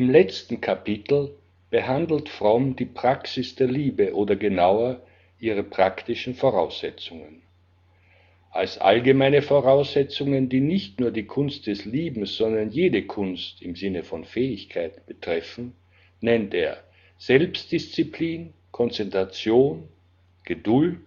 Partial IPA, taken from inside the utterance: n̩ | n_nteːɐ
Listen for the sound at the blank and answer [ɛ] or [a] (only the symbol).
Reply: ɛ